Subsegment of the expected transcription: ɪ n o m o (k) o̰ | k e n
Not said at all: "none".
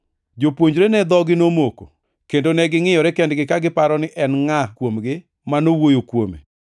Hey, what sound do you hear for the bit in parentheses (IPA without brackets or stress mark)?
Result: k